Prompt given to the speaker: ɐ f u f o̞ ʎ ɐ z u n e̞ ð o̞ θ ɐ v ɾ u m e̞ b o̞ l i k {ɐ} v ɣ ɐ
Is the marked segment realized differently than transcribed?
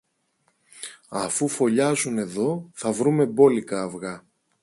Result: yes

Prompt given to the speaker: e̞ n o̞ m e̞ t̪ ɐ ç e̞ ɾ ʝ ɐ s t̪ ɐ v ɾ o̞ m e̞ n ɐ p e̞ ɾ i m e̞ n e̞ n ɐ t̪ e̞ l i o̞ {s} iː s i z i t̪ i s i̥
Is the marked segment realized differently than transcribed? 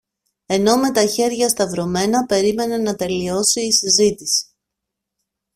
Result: no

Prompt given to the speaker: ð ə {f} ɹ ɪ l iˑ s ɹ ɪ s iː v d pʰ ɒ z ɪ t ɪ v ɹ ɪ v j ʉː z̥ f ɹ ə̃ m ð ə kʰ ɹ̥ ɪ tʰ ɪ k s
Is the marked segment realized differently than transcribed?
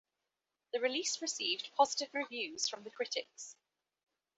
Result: yes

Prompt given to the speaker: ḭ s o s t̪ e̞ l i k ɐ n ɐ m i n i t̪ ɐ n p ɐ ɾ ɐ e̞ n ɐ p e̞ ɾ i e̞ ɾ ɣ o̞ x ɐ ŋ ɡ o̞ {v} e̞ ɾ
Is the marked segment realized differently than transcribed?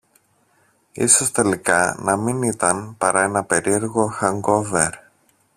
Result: no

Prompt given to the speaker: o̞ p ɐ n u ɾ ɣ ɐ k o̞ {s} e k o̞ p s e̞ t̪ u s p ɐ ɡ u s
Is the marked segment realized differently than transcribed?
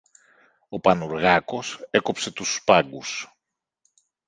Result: no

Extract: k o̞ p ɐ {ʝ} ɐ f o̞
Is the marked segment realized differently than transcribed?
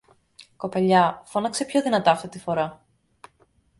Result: yes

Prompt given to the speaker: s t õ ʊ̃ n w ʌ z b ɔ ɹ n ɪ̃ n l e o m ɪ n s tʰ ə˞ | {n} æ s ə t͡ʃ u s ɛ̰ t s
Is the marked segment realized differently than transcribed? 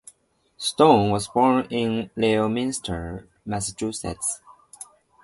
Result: yes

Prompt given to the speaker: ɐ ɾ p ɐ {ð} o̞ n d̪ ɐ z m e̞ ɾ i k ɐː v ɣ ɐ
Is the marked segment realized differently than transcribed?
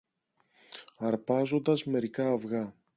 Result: yes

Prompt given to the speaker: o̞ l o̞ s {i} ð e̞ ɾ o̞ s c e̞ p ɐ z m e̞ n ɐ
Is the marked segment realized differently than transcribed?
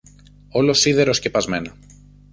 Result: no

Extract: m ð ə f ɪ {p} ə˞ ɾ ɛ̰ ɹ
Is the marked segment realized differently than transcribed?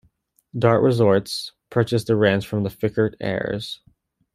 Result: yes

